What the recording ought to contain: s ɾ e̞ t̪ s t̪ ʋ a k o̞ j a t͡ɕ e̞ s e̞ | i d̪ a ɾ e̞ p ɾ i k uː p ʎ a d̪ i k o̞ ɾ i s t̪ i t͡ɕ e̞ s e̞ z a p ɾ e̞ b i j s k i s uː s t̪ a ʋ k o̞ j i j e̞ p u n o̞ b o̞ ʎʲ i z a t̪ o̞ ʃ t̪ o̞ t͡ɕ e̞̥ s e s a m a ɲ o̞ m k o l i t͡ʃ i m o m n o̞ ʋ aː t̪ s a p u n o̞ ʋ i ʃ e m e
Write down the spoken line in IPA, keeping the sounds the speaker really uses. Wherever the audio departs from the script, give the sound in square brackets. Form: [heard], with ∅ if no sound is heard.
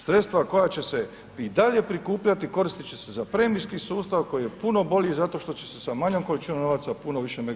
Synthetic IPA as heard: s ɾ e̞ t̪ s t̪ ʋ a k o̞ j a t͡ɕ e̞ s e̞ | i d̪ a [ʎ] e̞ p ɾ i k uː p ʎ a [t̪] i k o̞ ɾ i s t̪ i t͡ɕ e̞ s e̞ z a p ɾ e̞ [m] i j s k i s uː s t̪ a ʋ k o̞ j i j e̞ p u n o̞ b o̞ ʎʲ i z a t̪ o̞ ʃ t̪ o̞ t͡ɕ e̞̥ s e s a m a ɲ o̞ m k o l i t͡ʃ i [n] o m n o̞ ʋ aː t̪ s a p u n o̞ ʋ i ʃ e m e